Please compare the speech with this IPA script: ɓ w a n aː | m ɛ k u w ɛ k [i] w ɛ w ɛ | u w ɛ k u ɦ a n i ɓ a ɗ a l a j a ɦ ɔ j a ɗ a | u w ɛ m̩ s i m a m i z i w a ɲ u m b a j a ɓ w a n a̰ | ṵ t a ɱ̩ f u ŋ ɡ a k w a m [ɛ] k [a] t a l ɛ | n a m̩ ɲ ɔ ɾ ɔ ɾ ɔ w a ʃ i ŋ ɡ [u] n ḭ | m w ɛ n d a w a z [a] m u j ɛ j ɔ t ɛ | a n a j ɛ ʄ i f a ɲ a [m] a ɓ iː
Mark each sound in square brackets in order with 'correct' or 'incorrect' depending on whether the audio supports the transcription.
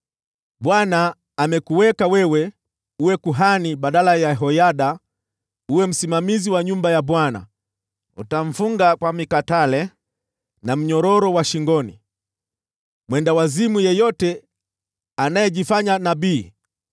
incorrect, incorrect, correct, incorrect, incorrect, incorrect

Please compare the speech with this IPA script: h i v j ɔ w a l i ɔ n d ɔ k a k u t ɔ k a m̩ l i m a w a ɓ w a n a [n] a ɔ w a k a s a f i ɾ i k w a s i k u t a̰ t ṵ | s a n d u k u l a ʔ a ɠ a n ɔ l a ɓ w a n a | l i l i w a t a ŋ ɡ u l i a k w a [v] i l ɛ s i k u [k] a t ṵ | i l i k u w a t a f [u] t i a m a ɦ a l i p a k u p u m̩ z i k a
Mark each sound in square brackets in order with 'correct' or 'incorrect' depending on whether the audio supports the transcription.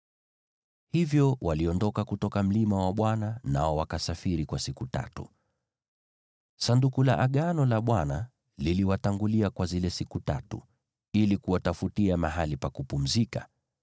correct, incorrect, incorrect, correct

